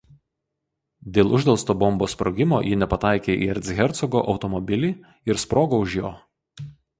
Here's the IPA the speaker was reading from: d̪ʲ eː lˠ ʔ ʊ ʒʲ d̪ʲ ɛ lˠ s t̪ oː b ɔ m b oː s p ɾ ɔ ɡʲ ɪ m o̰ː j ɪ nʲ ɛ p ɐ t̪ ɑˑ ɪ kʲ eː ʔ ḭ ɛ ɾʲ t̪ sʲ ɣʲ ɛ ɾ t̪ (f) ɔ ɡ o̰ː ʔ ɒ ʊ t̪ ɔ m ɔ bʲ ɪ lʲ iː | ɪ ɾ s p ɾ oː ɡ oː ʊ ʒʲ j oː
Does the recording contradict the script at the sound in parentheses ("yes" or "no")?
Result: yes